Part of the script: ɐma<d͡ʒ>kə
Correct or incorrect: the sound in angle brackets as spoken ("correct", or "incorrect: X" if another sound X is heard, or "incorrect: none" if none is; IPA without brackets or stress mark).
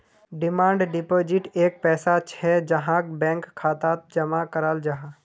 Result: incorrect: none